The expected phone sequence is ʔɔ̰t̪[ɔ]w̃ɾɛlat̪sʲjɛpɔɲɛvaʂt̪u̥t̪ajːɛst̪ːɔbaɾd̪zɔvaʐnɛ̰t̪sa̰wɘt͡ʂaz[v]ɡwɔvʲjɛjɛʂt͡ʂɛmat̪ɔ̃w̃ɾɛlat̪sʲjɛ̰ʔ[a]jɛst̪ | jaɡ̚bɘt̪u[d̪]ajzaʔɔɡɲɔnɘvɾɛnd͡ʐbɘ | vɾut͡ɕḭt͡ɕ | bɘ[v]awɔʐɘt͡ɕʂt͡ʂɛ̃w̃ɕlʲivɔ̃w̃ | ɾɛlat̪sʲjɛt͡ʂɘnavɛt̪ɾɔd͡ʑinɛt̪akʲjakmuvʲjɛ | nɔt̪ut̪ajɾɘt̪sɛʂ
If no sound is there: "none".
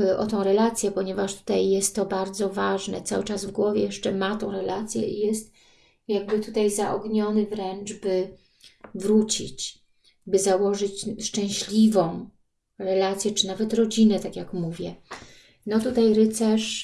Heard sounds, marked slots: ɔ̃, v, i, t̪, z

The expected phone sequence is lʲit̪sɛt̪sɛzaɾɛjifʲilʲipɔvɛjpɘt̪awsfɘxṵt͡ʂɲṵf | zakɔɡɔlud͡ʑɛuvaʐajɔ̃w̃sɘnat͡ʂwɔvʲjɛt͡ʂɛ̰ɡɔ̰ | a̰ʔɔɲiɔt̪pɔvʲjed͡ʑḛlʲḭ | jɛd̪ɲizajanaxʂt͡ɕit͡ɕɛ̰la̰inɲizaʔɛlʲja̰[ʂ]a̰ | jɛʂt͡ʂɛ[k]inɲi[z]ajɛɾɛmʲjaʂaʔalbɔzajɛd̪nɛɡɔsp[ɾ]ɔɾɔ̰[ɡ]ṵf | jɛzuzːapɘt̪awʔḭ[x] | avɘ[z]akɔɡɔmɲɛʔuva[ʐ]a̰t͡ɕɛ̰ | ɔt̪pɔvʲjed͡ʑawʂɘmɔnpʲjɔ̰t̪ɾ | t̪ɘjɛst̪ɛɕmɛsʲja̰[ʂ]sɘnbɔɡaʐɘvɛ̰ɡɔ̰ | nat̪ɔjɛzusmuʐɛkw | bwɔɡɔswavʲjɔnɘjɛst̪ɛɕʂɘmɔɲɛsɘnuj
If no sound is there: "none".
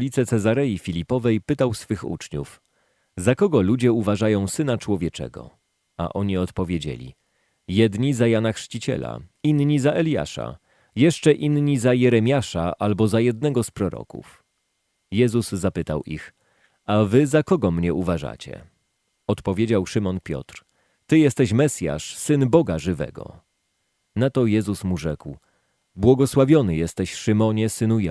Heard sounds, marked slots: ʂ, ʔ, z, ɾ, k, x, z, ʐ, ʂ

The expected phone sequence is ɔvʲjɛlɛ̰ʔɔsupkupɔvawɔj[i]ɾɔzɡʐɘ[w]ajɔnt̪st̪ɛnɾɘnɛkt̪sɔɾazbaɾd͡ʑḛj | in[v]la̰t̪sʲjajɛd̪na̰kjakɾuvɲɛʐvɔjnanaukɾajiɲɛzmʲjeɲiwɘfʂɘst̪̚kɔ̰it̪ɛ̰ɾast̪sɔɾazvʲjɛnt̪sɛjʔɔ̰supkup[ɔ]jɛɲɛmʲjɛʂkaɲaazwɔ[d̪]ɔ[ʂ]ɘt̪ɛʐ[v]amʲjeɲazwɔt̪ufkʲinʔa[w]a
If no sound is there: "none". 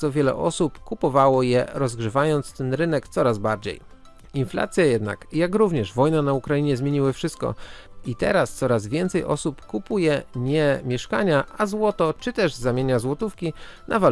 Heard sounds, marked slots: ɛ, v, f, u, t̪, t͡ʂ, z, v

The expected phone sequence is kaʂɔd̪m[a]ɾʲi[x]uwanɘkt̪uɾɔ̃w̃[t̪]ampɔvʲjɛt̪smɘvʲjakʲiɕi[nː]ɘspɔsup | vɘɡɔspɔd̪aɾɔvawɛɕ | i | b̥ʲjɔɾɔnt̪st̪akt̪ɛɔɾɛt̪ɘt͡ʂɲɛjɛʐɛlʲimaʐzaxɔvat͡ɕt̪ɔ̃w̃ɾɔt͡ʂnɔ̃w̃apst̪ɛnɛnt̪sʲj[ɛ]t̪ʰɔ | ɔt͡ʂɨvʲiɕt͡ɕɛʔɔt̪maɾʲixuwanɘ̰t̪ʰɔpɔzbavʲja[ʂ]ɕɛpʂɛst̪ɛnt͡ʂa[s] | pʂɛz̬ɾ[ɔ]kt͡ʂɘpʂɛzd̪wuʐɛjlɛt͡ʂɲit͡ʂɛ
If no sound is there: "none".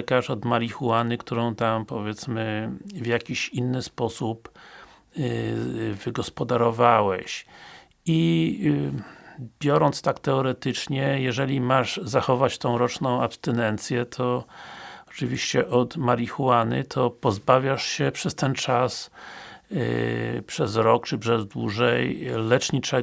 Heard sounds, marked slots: a, x, t̪, nː, ɛ, ʂ, s, ɔ

